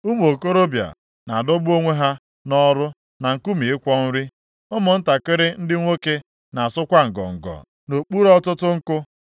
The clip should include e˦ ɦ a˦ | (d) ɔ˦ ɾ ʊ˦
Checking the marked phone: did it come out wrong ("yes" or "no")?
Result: yes